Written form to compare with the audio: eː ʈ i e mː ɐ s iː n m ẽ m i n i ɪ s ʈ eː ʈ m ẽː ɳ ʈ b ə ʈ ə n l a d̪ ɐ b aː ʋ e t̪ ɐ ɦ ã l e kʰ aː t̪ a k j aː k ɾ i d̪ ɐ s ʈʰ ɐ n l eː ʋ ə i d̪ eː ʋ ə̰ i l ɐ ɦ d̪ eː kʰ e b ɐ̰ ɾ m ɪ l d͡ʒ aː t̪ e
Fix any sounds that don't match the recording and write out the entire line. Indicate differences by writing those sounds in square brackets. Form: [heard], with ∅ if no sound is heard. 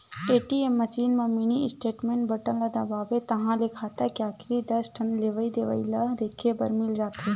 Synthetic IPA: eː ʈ i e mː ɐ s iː n m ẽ m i n i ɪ s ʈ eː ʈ m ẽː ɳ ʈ b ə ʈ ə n l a d̪ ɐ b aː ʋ e t̪ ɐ ɦ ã l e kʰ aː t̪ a k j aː k ɾ i d̪ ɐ s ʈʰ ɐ n l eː ʋ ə i d̪ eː ʋ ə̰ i l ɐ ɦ d̪ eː kʰ e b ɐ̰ ɾ m ɪ l d͡ʒ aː t̪ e